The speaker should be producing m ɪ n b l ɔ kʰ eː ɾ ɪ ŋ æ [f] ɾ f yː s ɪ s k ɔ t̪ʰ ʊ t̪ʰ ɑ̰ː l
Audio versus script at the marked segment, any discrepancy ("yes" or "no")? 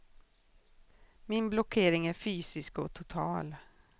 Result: yes